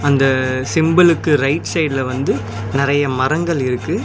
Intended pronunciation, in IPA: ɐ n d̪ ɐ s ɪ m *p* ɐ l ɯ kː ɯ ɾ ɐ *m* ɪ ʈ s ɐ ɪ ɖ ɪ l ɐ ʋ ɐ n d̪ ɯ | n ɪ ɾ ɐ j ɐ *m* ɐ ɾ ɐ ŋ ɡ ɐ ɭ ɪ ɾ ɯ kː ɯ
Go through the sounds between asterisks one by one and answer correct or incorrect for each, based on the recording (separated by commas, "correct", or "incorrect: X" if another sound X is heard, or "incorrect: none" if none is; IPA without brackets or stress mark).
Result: incorrect: b, incorrect: none, correct